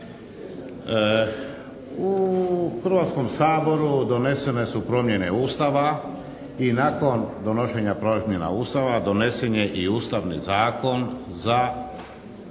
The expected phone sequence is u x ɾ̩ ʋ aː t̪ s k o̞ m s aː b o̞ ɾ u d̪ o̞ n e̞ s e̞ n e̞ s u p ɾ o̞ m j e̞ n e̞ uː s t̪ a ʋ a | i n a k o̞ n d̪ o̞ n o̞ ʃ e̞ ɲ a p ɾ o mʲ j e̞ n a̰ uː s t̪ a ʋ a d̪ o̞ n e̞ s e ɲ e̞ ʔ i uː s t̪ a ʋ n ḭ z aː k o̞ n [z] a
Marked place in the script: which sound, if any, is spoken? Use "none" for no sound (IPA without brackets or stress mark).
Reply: z